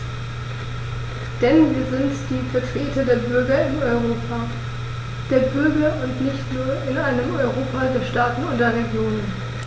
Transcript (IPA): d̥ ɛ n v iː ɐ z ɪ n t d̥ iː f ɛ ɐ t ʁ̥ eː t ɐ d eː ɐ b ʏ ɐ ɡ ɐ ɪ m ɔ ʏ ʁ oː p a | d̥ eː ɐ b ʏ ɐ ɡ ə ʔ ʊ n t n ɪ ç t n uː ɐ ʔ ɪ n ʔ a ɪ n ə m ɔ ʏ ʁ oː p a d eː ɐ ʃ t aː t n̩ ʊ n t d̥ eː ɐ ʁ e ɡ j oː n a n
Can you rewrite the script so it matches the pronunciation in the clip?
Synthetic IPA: d̥ ɛ n v iː ɐ z ɪ n t d̥ iː f ɛ ɐ t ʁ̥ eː t ɐ d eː ɐ b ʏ ɐ ɡ ɐ ɪ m ɔ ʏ ʁ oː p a | d̥ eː ɐ b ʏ ɐ ɡ ɐ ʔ ʊ n t n ɪ ç t n uː ɐ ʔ ɪ n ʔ a ɪ n ə m ɔ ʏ ʁ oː p a d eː ɐ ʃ t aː t n̩ ʊ n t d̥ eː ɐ ʁ e ɡ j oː n ə n